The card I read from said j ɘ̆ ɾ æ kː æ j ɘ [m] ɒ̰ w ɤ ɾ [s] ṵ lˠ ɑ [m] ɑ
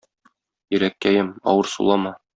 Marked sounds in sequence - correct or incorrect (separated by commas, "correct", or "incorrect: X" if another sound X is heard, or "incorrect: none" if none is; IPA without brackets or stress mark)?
correct, correct, correct